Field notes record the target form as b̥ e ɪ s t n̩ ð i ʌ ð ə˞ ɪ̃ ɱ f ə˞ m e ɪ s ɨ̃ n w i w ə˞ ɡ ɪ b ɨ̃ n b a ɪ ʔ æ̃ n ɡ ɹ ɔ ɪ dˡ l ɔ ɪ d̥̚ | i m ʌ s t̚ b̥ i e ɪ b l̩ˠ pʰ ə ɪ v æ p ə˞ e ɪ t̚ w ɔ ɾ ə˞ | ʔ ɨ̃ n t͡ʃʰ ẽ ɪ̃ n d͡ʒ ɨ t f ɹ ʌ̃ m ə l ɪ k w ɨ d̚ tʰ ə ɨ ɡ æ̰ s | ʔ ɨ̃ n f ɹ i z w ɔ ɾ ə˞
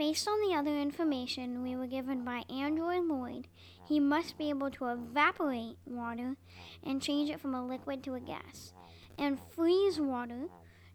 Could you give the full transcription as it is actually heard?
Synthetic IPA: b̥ e ɪ s t n̩ ð i ʌ ð ə˞ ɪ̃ ɱ f ə˞ m e ɪ ʃ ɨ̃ n w i w ə˞ ɡ ɪ v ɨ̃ n b a ɪ ʔ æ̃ n d ɹ ɔ ɪ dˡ l ɔ ɪ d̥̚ | i m ʌ s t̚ b̥ i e ɪ b l̩ˠ tʰ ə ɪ v æ p ə˞ e ɪ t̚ w ɔ ɾ ə˞ | ʔ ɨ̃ n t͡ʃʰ ẽ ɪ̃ n d͡ʒ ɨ t f ɹ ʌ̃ m ə l ɪ k w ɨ d̚ tʰ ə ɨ ɡ æ̰ s | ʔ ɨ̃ n f ɹ i z w ɔ ɾ ə˞